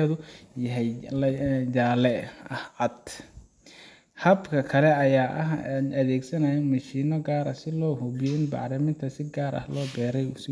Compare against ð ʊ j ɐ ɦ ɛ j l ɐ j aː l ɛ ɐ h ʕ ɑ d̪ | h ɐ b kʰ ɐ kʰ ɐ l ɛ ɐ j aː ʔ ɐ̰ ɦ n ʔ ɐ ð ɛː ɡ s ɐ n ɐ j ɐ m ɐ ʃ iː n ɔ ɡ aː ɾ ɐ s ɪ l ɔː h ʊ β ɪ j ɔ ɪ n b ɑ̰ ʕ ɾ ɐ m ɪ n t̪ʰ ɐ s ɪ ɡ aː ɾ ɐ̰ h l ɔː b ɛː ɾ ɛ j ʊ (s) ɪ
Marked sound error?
no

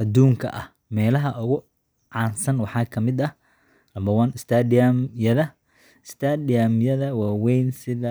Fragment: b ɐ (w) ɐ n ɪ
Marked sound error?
no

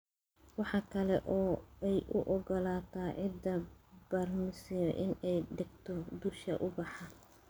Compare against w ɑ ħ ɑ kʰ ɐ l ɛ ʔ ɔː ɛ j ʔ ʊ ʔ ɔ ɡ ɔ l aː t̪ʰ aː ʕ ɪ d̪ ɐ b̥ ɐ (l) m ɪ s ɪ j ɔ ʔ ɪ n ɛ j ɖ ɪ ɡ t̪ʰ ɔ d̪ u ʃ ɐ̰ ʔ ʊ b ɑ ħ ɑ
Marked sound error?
yes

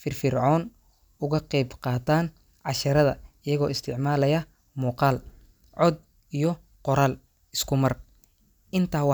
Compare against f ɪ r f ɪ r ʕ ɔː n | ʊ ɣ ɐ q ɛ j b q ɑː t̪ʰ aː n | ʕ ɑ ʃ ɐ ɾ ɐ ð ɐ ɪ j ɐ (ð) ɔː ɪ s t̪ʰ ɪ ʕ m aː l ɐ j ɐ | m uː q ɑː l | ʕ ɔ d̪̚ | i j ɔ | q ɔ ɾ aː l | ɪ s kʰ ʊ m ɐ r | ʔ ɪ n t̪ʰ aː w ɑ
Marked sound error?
yes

